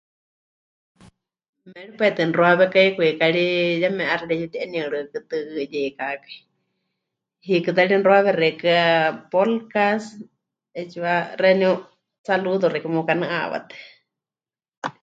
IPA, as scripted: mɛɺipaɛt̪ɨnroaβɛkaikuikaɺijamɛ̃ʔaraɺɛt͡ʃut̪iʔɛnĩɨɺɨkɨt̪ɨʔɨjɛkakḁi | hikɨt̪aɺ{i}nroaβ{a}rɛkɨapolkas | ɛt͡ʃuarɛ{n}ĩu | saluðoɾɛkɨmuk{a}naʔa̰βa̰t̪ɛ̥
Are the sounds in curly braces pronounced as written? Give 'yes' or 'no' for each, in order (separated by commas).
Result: yes, no, yes, yes